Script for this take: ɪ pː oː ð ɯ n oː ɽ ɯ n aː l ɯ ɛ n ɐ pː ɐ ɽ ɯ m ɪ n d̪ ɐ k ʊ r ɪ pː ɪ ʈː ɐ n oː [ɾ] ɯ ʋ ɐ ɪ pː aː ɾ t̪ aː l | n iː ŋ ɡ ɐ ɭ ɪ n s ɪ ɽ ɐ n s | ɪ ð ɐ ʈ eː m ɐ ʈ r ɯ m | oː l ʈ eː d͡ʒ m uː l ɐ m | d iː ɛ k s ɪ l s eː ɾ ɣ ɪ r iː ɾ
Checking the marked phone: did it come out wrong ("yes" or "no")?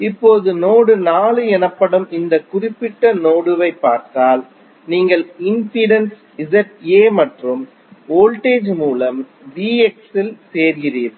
yes